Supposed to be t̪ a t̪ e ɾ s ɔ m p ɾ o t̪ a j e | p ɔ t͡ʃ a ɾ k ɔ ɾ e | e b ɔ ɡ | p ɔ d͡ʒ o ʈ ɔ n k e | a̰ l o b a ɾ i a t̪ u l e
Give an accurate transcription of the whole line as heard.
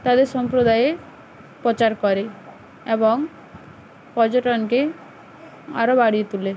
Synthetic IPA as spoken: t̪ a d̪ e ɾ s ɔ m p ɾ o d̪ a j e | p ɔ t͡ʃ a ɾ k ɔ ɾ e | e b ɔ ŋ | p ɔ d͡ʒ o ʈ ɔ n k e | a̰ ɾ o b a ɽ i e t̪ u l e